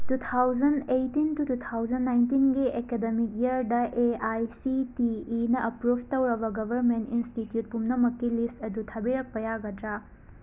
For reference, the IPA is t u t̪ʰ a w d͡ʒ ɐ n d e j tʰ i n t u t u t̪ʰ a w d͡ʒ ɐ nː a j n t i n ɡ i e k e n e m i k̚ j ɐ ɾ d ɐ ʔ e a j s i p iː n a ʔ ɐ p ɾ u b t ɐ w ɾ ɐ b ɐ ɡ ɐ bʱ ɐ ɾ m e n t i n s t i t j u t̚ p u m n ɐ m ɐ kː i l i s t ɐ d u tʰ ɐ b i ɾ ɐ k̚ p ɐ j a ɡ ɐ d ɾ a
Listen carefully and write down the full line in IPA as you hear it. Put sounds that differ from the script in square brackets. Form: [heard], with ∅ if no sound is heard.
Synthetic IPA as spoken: t u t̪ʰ a w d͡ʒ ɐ n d e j [t] i n t u t u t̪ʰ a w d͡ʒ ɐ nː a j n t i n ɡ i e k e [d] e m i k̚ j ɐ ɾ d ɐ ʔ e a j s i [t] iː n [ɐ] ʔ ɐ p ɾ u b t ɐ w ɾ ɐ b ɐ ɡ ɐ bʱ ɐ ɾ m e n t i n s t i t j u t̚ p u m n ɐ m ɐ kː i l i s t ɐ d u tʰ ɐ b i ɾ ɐ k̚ p ɐ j a ɡ ɐ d ɾ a

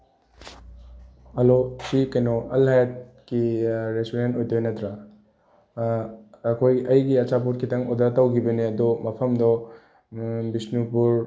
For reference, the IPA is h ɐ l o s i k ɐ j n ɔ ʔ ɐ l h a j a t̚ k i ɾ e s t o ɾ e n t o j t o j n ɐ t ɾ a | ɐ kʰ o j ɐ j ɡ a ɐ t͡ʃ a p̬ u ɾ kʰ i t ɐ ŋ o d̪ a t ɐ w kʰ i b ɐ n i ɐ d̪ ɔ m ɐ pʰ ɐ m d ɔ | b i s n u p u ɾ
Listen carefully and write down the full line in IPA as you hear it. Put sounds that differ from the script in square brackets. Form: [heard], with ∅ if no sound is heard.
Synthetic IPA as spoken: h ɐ l o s i k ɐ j n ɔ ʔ ɐ l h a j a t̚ k i ɾ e s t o ɾ e n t o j t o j n ɐ t ɾ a | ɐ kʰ o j ɐ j ɡ [i] ɐ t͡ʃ a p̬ u ɾ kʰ i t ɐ ŋ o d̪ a t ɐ w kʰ i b ɐ n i ɐ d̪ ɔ m ɐ pʰ ɐ m d ɔ | b i s n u p u ɾ

